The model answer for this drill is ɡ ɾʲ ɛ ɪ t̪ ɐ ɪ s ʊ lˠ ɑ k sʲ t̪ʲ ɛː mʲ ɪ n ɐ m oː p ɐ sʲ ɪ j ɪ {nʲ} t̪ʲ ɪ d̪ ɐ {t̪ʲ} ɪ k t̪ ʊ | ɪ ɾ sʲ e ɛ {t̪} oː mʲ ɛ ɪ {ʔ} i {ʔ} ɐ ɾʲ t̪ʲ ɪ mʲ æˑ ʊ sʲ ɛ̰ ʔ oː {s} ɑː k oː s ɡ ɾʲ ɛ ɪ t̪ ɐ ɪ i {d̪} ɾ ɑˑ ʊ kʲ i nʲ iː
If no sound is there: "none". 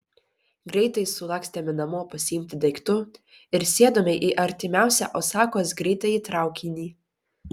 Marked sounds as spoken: mʲ, none, d̪, ʔ, ʔ, s, t̪

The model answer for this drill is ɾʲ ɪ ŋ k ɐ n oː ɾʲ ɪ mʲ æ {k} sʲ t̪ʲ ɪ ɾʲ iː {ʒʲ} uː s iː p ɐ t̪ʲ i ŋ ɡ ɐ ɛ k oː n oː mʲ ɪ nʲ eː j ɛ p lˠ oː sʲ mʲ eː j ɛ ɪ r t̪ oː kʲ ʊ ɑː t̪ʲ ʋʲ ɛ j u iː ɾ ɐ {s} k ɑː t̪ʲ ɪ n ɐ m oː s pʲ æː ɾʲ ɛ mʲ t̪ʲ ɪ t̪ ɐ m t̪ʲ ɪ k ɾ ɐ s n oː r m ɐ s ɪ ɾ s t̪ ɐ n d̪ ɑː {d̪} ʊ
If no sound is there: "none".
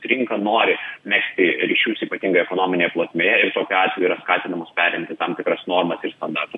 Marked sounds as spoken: k, ʃʲ, s, t̪

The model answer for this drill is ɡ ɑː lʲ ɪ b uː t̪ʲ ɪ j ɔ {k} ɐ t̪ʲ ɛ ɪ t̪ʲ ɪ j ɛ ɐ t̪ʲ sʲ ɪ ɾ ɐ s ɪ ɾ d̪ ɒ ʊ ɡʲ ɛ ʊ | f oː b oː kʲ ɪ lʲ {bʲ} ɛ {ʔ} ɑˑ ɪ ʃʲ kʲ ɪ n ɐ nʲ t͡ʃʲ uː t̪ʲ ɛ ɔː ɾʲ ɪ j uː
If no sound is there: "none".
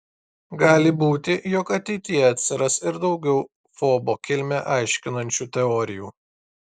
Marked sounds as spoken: k, mʲ, ʔ

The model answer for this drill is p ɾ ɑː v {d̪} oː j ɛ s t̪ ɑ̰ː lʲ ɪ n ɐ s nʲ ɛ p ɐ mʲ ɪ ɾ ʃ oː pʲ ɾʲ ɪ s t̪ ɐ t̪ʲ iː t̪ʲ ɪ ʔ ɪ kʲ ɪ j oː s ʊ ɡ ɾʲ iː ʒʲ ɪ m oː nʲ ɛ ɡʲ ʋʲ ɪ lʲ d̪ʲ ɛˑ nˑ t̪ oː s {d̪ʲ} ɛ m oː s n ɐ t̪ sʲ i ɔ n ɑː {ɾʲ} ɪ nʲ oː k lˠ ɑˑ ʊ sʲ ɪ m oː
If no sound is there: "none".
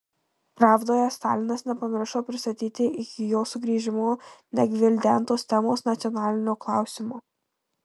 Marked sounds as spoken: d̪, t̪ʲ, lʲ

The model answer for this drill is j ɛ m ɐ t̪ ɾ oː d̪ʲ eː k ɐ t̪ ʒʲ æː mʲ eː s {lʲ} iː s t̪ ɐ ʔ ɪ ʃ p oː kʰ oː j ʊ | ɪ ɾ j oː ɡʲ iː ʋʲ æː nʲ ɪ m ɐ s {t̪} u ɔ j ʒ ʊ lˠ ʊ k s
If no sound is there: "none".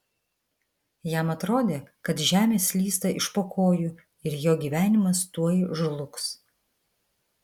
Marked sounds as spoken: lʲ, t̪

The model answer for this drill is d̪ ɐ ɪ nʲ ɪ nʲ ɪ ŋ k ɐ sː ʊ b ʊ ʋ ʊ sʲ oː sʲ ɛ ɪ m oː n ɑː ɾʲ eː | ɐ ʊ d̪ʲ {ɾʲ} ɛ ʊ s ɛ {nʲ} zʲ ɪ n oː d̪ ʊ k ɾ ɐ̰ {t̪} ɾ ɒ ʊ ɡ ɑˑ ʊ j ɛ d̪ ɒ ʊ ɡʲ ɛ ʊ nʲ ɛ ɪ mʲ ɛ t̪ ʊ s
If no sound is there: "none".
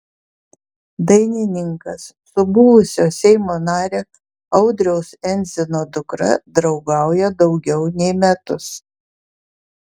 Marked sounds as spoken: ɾʲ, nʲ, d̪

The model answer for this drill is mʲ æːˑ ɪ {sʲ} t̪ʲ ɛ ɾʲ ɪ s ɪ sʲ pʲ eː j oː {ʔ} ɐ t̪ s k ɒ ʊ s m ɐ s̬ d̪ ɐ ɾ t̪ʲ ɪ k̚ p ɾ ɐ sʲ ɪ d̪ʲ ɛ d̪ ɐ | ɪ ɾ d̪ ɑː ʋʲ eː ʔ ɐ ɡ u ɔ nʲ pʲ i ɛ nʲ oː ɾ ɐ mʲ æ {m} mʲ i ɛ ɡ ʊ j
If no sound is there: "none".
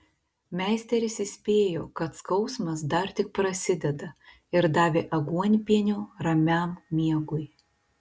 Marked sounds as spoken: sʲ, k, m

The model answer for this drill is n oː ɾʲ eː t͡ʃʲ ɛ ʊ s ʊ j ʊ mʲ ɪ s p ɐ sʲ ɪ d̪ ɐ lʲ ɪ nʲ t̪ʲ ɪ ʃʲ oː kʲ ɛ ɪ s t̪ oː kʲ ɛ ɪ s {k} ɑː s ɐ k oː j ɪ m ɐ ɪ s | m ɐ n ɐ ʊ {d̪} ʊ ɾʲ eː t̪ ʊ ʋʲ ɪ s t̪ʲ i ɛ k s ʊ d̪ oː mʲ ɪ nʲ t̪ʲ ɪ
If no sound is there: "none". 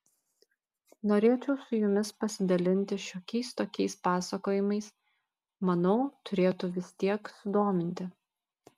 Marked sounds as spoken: p, t̪

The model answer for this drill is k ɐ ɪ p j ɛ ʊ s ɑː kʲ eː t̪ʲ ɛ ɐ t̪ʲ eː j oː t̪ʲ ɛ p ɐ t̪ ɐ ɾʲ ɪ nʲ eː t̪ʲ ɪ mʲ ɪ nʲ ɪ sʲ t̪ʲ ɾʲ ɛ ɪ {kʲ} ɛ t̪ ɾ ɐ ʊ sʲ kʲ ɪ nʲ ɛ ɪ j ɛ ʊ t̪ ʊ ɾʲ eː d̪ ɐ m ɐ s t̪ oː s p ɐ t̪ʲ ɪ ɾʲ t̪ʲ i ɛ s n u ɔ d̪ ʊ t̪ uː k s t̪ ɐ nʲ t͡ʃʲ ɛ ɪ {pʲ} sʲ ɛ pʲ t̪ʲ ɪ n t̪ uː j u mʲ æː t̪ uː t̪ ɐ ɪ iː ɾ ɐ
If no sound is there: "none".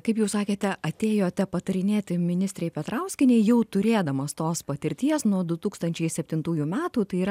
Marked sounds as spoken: pʲ, none

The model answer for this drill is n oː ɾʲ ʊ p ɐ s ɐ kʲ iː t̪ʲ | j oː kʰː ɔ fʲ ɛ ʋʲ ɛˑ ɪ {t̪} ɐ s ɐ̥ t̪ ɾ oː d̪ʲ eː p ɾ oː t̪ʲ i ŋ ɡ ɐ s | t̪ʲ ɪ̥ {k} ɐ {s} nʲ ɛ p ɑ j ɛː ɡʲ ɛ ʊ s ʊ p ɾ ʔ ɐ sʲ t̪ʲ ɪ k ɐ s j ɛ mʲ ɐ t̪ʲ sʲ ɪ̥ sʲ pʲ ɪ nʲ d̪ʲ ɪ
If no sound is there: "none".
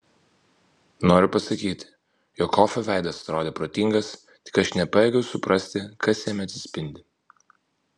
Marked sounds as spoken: d̪, k, ʃ

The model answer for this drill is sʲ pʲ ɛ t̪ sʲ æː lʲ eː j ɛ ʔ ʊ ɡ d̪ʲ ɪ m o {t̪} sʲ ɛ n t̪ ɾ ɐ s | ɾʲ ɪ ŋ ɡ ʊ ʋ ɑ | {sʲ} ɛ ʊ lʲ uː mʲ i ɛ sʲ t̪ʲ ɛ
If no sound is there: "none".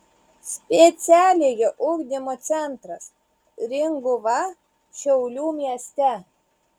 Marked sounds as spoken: t̪, ʃʲ

